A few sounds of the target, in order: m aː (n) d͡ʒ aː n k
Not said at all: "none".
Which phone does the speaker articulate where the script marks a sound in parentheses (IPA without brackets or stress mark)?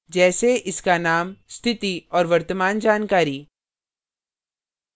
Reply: n